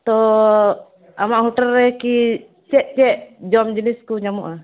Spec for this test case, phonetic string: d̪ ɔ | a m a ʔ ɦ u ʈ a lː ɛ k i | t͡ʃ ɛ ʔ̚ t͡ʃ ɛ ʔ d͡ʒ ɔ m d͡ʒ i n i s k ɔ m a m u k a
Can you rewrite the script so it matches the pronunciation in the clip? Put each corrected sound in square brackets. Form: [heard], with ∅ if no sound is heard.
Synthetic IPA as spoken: [t̪] ɔ | a m a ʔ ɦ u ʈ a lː ɛ k i | t͡ʃ ɛ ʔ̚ t͡ʃ ɛ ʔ d͡ʒ ɔ m d͡ʒ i n i s k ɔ [ɲ] a m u [ʔ] a